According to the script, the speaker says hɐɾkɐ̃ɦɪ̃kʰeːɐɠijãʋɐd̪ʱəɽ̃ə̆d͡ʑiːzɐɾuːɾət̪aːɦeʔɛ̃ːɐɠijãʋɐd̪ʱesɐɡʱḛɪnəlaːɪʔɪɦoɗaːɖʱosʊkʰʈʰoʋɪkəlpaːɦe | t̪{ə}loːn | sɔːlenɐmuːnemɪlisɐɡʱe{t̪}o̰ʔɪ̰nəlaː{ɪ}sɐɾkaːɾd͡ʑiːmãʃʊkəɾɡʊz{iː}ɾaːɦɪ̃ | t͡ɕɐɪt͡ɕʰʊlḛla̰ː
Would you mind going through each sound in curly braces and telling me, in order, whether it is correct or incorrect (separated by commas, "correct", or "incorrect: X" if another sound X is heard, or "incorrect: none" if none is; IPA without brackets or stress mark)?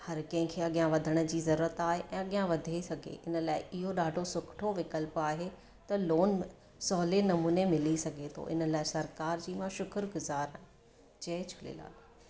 incorrect: ɐ, incorrect: t̪ʰ, correct, incorrect: aː